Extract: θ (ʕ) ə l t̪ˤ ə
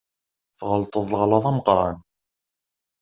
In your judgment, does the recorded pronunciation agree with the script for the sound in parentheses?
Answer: no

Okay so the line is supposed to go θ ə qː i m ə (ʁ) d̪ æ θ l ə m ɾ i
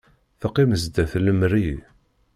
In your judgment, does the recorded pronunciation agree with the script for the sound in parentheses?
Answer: no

